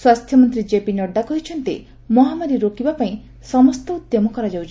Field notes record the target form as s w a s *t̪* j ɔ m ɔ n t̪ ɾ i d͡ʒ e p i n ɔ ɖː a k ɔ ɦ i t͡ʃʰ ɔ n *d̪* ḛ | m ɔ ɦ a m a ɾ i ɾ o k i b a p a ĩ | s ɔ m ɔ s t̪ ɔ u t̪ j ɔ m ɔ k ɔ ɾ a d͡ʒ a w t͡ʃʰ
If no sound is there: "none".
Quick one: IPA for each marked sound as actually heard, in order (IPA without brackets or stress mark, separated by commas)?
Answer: t̪ʰ, t̪